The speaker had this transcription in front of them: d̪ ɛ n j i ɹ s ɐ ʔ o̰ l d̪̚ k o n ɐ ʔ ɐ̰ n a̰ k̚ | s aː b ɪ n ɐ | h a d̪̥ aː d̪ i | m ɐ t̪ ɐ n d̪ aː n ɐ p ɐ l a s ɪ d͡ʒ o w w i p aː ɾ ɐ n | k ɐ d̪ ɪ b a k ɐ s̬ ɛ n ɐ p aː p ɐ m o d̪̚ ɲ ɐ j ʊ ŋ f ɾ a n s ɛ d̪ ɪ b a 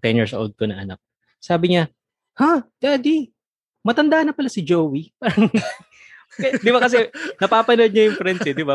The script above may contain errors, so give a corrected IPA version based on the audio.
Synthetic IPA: t̪ ɛ n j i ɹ s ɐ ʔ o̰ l d̪̚ k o n ɐ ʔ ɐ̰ n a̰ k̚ | s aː b ɪ ɲ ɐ | h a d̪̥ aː d̪ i | m ɐ t̪ ɐ n d̪ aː n ɐ p ɐ l a s ɪ d͡ʒ o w w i p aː ɾ ɐ ŋ | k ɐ d̪ ɪ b a k ɐ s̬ ɛ n ɐ p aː p ɐ n o d̪̚ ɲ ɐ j ʊ ŋ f ɾ ɛ n s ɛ d̪ ɪ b a